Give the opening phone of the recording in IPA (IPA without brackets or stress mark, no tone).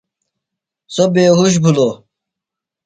s